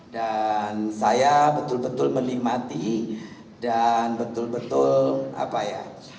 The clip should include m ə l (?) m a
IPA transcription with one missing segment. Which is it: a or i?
i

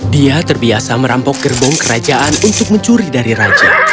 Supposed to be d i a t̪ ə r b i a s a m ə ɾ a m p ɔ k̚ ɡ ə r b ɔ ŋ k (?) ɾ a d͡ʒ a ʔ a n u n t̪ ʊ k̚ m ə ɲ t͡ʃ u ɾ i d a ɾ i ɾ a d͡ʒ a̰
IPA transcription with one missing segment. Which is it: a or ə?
ə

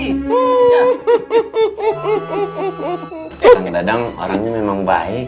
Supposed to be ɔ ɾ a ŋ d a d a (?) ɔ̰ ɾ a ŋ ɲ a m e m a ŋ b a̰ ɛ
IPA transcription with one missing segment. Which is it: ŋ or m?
ŋ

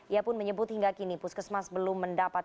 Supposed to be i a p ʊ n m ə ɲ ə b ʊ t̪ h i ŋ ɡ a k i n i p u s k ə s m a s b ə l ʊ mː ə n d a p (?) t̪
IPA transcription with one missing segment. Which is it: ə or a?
a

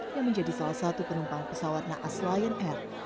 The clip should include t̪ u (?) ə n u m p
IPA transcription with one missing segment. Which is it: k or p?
p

